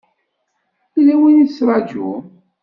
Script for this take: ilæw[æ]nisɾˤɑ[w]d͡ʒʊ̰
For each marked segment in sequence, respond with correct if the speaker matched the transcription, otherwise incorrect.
incorrect: i, incorrect: none

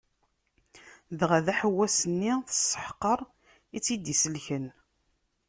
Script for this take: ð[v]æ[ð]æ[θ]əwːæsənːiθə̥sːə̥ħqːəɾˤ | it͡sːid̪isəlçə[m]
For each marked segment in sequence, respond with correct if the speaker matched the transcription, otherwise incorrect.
incorrect: ʁ, correct, incorrect: ħ, incorrect: n

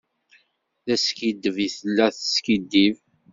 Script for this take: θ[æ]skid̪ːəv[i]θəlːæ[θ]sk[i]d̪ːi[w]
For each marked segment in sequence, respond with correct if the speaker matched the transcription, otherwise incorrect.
correct, correct, correct, correct, incorrect: v

